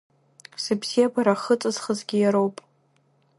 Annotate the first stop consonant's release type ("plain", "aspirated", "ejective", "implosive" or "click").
plain